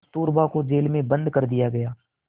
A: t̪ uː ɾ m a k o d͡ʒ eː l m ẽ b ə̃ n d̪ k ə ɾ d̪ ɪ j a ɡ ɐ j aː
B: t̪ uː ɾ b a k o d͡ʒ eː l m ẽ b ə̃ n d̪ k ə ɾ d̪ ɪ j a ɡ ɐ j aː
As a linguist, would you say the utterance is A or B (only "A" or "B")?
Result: B